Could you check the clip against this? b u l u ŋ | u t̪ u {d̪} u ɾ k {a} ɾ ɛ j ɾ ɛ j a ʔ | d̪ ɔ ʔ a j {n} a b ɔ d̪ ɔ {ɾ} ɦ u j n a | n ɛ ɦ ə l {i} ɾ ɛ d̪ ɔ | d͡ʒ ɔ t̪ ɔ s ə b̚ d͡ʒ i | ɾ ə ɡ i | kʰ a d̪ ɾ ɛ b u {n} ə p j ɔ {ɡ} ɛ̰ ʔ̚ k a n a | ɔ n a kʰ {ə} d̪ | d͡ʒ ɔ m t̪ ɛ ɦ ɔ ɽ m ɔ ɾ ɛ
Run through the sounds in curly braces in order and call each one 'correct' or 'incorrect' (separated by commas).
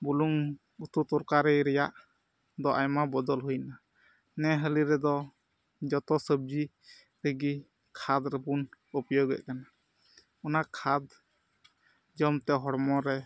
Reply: incorrect, correct, incorrect, incorrect, correct, correct, correct, incorrect